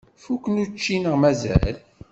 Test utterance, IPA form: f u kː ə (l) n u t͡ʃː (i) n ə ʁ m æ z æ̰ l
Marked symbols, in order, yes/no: no, yes

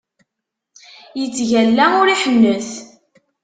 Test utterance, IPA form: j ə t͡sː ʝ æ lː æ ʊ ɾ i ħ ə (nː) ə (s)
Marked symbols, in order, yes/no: yes, no

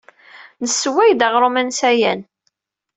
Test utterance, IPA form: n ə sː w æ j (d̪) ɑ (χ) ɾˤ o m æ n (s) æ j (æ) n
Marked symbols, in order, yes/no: yes, no, yes, yes

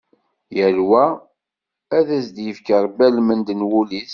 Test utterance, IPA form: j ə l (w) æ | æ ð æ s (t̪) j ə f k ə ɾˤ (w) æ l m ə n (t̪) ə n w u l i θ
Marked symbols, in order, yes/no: yes, no, no, no

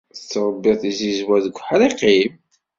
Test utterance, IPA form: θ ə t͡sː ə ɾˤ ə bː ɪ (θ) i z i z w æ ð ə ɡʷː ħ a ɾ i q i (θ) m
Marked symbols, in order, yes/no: yes, no

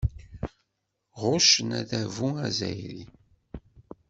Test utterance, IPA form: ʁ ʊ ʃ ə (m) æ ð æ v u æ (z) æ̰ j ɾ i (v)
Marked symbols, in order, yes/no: no, yes, no

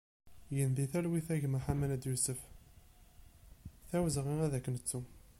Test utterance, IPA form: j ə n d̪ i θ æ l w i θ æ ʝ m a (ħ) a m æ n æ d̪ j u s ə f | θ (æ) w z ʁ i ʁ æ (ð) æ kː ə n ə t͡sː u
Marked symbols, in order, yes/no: yes, yes, yes

